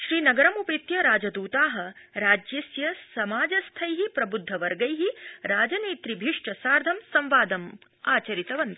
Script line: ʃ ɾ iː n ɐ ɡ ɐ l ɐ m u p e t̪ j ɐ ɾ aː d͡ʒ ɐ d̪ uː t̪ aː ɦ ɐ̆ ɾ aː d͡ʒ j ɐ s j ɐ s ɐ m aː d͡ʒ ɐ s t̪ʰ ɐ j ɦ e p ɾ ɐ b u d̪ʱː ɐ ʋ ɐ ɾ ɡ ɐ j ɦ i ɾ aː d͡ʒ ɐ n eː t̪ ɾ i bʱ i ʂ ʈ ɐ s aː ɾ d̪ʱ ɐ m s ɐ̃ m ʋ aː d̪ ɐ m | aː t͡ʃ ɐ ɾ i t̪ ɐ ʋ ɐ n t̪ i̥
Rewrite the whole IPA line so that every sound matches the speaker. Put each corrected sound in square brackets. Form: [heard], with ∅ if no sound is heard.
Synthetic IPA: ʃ ɾ iː n ɐ ɡ ɐ [ɾ] ɐ m u p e t̪ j ɐ ɾ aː d͡ʒ ɐ d̪ uː t̪ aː ɦ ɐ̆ ɾ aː d͡ʒ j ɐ s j ɐ s ɐ m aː d͡ʒ ɐ s t̪ʰ ɐ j ɦ [i] p ɾ ɐ b u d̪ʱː ɐ ʋ ɐ ɾ ɡ ɐ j ɦ i ɾ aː d͡ʒ ɐ n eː t̪ ɾ i bʱ i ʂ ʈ ɐ s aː ɾ d̪ʱ ɐ m s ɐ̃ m ʋ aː d̪ ɐ m | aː t͡ʃ ɐ ɾ i t̪ ɐ ʋ ɐ n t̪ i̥